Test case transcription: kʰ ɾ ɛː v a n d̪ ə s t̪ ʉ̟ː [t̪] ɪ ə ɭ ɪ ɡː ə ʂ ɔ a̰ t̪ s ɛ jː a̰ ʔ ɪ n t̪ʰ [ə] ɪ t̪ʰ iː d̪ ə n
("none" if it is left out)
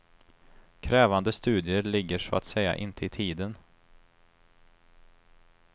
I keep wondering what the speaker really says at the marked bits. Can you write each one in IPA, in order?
d̪, ə

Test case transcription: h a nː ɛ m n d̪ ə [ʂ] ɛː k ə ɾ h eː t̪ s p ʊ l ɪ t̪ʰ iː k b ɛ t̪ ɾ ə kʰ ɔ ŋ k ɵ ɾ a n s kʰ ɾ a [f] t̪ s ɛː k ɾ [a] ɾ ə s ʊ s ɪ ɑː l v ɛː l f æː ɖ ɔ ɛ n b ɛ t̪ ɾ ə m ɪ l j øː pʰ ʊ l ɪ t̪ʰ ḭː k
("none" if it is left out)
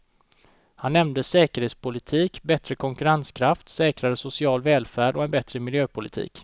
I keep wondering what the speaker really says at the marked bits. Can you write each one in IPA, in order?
s, f, a

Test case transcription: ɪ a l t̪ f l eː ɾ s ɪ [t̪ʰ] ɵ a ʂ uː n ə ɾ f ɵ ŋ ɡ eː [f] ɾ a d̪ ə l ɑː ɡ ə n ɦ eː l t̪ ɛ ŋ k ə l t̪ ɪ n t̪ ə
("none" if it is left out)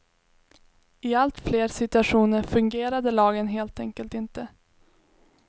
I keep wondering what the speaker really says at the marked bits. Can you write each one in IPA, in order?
t̪, none

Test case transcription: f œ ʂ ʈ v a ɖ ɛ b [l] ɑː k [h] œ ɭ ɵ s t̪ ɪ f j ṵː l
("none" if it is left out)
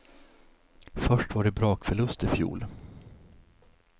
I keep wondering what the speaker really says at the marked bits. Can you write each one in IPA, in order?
ɾ, f

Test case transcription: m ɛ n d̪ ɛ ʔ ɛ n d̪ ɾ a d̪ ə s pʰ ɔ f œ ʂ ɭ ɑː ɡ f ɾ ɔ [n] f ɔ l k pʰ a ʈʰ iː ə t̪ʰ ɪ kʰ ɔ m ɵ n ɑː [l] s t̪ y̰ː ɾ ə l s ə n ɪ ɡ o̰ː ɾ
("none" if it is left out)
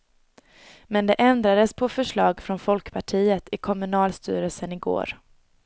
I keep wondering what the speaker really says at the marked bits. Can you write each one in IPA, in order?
n, l

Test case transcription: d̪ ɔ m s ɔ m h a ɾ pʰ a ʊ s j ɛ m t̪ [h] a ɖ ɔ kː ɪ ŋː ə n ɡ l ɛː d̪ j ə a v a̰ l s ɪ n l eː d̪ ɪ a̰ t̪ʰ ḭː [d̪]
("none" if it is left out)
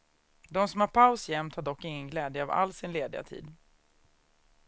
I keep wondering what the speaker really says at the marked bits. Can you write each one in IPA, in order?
h, d̪

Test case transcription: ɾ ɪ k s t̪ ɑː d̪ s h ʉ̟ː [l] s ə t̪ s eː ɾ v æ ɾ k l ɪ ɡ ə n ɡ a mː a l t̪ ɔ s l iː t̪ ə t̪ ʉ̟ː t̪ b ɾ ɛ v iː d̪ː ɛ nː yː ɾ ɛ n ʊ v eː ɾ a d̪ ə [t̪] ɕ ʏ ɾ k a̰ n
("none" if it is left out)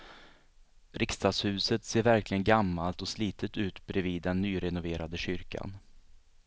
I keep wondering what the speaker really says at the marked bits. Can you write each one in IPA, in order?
none, none

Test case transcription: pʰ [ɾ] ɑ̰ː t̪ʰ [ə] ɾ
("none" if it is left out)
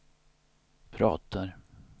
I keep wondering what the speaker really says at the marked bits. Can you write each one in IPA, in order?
ɾ, a

